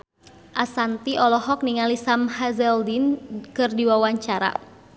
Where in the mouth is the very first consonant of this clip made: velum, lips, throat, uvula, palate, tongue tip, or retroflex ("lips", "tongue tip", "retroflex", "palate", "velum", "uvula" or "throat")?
throat